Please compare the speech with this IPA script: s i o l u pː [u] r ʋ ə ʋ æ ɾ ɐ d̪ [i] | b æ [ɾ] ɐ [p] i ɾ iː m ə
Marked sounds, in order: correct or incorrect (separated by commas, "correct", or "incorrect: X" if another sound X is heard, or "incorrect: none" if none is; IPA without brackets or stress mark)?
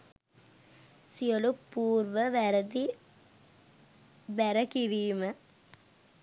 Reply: incorrect: uː, correct, correct, incorrect: k